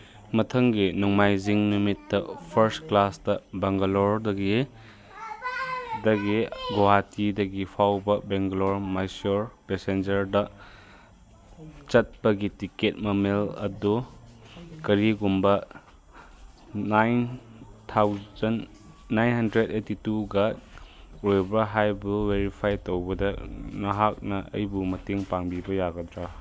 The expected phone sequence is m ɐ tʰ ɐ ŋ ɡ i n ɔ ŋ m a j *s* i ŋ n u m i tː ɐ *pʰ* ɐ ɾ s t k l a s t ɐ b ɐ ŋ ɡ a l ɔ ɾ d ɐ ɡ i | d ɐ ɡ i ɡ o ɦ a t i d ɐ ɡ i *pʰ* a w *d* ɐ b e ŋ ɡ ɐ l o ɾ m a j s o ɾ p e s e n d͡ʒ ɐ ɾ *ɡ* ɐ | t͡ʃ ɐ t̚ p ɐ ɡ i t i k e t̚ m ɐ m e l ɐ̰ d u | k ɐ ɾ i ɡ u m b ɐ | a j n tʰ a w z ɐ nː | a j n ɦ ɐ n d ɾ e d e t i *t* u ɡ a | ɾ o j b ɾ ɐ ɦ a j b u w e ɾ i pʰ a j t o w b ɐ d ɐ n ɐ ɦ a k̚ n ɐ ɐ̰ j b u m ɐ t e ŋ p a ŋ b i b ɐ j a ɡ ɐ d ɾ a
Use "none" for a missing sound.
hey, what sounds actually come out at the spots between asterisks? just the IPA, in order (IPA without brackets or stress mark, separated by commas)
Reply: z, pʰ, pʰ, b, d, t